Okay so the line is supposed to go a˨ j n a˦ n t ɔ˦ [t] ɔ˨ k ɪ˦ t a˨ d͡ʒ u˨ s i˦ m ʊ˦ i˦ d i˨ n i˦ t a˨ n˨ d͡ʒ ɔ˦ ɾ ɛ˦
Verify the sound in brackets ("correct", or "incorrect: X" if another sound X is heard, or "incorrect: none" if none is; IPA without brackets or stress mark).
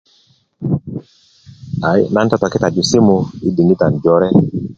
correct